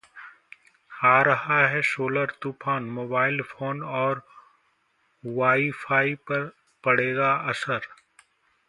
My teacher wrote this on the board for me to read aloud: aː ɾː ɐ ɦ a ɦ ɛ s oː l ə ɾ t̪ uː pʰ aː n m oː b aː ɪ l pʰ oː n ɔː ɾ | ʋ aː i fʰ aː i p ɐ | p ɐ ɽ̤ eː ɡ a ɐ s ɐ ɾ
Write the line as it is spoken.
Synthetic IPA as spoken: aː ɾ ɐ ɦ a ɦ ɛ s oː l ə ɾ t̪ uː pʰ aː n m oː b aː ɪ l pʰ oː n ɔː ɾ | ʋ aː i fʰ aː i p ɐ | p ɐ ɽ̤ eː ɡ a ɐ s ə ɾ